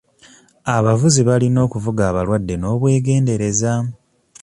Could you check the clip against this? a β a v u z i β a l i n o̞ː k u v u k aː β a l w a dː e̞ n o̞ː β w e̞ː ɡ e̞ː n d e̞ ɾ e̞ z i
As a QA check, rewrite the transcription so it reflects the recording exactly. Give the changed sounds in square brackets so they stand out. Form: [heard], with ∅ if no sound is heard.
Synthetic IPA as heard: a β a v u z i β a l i n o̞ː k u v u [ɡ] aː β a l w a dː e̞ n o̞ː β w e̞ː ɡ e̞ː n d e̞ ɾ e̞ z [a]